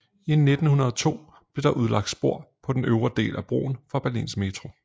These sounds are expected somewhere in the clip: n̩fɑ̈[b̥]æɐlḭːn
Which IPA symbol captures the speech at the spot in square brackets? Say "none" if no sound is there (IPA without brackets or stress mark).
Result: b̥